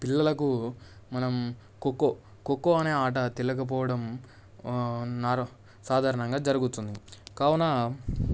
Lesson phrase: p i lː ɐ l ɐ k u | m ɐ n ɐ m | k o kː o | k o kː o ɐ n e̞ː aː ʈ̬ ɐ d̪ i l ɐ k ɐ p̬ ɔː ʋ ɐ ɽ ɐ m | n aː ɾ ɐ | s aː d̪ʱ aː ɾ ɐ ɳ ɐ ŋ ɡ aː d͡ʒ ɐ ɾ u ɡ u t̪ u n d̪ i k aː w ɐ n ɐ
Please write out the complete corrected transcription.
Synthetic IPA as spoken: p i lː ɐ l ɐ k u | m ɐ n ɐ m | k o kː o | k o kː o ɐ n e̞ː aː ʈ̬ ɐ t̪ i l ɐ k ɐ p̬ ɔː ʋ ɐ ɽ ɐ m | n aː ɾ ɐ | s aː d̪ʱ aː ɾ ɐ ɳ ɐ ŋ ɡ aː d͡ʒ ɐ ɾ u ɡ u t̪ u n d̪ i k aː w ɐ n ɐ